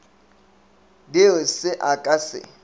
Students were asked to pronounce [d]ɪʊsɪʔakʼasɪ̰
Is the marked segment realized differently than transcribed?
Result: no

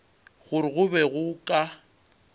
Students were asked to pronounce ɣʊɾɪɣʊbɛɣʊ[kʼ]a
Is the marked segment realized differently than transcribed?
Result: no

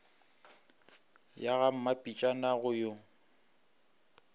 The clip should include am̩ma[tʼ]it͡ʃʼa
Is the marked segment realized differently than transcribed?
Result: yes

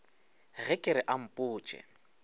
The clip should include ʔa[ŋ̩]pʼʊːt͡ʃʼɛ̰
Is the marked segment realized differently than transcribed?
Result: yes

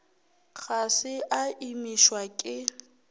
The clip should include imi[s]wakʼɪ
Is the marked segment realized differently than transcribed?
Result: yes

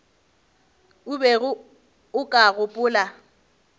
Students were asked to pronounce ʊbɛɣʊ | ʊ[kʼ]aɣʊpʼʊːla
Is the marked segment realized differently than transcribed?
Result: no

